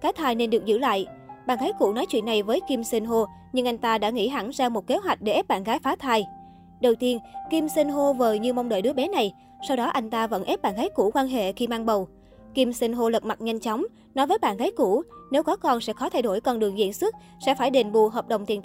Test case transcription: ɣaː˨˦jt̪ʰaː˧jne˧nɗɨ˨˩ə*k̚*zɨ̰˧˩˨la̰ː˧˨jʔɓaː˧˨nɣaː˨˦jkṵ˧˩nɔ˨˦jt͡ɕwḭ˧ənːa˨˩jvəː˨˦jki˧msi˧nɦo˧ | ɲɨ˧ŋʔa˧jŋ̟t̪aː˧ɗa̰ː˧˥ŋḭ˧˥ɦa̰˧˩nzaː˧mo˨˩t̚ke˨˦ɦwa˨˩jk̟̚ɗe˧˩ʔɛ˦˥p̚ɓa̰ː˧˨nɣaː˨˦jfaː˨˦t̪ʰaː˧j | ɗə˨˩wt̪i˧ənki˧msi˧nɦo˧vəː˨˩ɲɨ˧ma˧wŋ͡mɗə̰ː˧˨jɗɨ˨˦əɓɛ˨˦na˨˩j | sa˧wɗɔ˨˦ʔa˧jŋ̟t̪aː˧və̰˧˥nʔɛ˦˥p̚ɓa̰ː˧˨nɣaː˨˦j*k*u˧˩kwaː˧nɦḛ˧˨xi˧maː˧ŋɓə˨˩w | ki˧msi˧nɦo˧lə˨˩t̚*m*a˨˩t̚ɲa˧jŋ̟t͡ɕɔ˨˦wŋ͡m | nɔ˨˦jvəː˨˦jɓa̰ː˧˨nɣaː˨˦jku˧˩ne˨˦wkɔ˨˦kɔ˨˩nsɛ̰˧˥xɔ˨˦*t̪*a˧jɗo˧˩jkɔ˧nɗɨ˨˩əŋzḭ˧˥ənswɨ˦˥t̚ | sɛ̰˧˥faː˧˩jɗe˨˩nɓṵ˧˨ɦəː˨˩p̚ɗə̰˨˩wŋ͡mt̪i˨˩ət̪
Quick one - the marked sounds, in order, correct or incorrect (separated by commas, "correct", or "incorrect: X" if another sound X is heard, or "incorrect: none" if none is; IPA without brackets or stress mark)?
correct, correct, correct, incorrect: t̪ʰ